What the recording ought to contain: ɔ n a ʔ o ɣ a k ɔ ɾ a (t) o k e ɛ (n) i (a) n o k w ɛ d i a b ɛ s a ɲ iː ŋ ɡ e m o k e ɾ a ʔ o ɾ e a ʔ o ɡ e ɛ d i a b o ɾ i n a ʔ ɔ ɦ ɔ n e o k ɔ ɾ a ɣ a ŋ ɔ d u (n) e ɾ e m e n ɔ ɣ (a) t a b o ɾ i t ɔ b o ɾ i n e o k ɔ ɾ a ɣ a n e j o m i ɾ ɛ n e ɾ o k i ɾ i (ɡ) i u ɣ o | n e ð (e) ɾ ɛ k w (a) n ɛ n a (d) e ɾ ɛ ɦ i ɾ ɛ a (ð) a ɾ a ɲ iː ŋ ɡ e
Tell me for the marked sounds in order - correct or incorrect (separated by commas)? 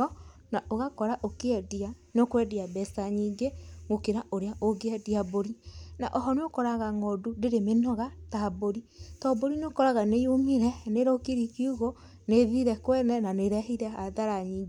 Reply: incorrect, incorrect, correct, incorrect, correct, incorrect, incorrect, incorrect, incorrect, correct